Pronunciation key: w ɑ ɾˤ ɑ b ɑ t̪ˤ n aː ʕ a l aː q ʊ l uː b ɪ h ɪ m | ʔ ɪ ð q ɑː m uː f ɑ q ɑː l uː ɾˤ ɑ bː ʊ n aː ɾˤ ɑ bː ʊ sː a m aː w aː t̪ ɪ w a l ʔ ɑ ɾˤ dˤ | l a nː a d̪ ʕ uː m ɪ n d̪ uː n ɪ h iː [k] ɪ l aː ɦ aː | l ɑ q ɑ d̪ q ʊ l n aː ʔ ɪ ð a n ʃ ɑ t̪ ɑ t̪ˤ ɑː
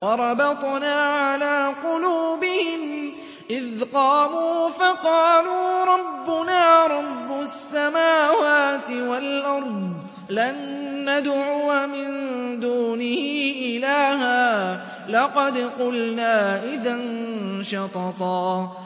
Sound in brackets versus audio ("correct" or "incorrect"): incorrect